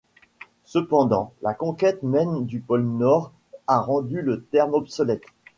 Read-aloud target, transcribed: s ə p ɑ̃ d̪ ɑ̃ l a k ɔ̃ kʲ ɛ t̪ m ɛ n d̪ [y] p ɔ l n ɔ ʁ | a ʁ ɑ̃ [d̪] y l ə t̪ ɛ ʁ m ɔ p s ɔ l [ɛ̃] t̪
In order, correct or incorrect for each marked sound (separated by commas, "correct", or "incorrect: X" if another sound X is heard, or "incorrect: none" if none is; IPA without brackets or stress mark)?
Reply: correct, correct, incorrect: ɛ